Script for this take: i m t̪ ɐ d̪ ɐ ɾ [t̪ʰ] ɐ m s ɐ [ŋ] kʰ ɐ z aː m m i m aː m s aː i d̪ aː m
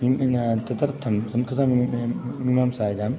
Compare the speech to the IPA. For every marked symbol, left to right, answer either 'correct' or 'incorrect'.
correct, incorrect: m

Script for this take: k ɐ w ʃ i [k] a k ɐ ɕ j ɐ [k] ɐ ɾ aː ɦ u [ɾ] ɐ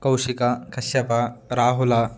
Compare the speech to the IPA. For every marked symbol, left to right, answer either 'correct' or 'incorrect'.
correct, incorrect: p, incorrect: l

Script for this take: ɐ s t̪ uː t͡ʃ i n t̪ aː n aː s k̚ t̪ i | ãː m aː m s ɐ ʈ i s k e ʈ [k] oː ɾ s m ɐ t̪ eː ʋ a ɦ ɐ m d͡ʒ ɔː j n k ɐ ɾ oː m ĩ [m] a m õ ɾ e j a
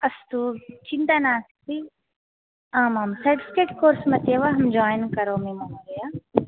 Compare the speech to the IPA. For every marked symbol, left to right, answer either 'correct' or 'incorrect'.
correct, correct

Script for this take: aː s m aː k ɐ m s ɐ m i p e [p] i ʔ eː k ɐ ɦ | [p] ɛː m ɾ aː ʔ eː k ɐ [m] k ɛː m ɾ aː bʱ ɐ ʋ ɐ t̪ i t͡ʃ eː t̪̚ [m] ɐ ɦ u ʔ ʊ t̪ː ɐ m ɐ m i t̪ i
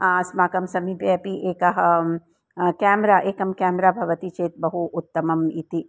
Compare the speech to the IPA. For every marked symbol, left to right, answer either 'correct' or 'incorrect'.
correct, incorrect: k, correct, incorrect: b

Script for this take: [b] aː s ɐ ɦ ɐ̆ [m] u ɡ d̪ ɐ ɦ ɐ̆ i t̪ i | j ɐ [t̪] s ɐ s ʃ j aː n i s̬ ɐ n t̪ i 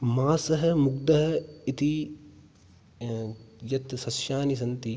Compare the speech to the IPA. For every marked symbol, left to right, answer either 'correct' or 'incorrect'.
incorrect: m, correct, correct

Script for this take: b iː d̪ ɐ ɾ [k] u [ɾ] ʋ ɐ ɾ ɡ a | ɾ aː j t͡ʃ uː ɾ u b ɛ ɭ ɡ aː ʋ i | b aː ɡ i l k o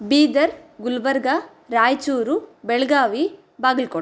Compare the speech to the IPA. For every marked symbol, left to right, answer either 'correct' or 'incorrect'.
incorrect: ɡ, incorrect: l

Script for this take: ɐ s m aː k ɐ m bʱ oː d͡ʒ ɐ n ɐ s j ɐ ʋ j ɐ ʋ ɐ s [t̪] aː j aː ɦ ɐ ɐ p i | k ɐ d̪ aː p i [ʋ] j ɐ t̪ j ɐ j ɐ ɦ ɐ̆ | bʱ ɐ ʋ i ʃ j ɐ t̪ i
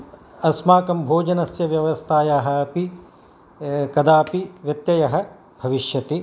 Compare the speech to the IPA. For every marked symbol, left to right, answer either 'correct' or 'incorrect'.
incorrect: t̪ʰ, correct

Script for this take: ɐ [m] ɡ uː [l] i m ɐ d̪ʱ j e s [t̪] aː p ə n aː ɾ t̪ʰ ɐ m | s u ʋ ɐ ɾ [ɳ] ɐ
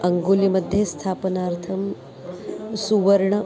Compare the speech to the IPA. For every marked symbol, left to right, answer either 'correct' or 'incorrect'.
incorrect: ŋ, correct, incorrect: t̪ʰ, correct

